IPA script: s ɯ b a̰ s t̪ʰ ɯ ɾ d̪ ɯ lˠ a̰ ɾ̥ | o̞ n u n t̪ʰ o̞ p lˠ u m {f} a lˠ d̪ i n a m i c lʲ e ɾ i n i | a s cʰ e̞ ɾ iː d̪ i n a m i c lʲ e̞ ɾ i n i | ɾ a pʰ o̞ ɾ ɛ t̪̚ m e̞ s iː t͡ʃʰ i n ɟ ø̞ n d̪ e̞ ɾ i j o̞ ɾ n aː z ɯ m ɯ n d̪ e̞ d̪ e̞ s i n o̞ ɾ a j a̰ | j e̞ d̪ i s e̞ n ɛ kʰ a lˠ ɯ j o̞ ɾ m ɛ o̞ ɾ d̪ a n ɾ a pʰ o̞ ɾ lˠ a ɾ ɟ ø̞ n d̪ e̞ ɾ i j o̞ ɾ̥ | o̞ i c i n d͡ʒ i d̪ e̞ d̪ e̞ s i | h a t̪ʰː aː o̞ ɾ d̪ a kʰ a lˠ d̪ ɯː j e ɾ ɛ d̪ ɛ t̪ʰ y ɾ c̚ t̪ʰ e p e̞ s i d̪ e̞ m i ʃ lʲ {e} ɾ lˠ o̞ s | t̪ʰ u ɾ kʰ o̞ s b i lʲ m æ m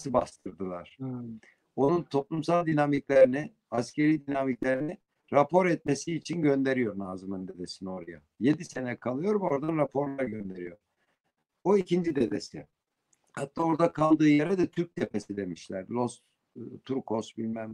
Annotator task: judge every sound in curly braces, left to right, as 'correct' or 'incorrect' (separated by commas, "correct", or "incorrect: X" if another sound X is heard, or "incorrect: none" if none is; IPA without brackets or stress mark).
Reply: incorrect: s, incorrect: æ